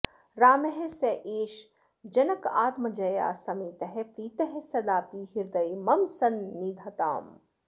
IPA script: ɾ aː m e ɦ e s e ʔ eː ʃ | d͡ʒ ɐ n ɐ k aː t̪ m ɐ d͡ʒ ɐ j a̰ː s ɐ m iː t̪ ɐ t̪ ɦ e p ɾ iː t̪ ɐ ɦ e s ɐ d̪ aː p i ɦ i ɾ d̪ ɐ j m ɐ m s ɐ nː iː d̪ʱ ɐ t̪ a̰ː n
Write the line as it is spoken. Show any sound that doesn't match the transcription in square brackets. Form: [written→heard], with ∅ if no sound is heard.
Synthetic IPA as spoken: ɾ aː m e ɦ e s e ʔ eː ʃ | d͡ʒ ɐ n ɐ k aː t̪ m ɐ d͡ʒ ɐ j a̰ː s ɐ m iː t̪ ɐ [t̪→∅] ɦ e p ɾ iː t̪ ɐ ɦ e s ɐ d̪ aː p i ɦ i ɾ d̪ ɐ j m ɐ m s ɐ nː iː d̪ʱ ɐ t̪ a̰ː [n→m]